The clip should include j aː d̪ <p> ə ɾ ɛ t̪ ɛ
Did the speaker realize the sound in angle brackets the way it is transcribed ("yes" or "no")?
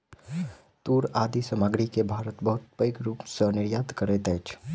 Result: no